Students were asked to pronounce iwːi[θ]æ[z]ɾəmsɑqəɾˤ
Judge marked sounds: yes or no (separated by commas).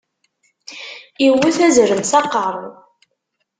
yes, yes